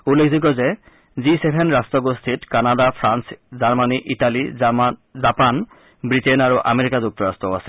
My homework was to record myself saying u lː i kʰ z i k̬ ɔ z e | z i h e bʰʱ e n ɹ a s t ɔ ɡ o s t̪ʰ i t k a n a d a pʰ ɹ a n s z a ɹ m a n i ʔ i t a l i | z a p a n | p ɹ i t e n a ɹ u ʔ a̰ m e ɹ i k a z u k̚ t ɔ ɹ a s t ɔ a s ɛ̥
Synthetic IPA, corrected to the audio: u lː e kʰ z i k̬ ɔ z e | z i s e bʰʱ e n ɹ a s t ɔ ɡ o s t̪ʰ i t k a n a d a pʰ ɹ a n s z a ɹ m a n i ʔ i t a l i | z a p a n | b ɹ i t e n a ɹ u ʔ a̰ m e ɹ i k a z u k̚ t ɔ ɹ a s t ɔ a s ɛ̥